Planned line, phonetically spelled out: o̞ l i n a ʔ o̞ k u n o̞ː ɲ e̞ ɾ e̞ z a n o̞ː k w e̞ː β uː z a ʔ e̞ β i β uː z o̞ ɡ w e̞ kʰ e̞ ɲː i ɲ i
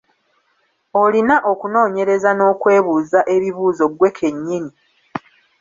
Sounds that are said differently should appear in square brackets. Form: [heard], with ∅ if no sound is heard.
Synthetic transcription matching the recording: o̞ l i n a ʔ o̞ k u n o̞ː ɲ e̞ ɾ e̞ z a n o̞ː k w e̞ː β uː z a ʔ e̞ β i β uː z o̞ ɡ w e̞ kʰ e̞ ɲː i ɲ i